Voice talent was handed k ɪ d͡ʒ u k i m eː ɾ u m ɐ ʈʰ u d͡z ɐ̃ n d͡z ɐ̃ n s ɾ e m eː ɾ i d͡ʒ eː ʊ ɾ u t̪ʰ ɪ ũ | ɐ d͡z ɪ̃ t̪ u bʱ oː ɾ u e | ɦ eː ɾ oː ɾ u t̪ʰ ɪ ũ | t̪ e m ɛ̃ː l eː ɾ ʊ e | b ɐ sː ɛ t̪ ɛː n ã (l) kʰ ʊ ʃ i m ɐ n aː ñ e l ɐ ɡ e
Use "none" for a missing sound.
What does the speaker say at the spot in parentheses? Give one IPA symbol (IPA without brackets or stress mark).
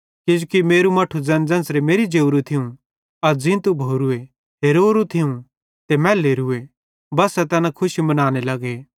none